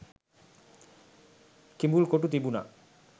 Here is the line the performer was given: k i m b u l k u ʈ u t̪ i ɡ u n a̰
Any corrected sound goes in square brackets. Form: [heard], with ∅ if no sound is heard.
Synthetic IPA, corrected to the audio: k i m b u l k [o] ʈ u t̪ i [b] u n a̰